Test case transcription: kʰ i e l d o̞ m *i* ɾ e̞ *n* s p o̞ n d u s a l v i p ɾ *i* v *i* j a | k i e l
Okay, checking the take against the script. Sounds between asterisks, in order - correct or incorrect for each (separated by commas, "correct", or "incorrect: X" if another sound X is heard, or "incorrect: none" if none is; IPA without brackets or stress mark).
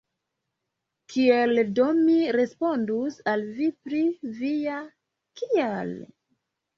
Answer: correct, incorrect: none, correct, correct